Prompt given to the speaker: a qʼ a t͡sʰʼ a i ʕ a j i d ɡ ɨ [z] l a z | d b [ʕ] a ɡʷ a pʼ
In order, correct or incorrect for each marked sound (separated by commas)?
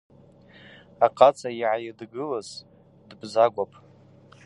incorrect, incorrect